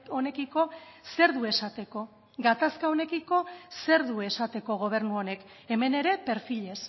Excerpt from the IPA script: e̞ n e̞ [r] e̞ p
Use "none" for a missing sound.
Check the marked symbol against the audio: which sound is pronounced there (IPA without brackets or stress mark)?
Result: ɾ